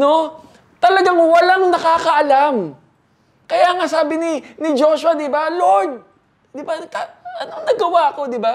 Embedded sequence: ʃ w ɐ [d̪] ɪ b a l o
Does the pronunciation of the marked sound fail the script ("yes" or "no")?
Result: no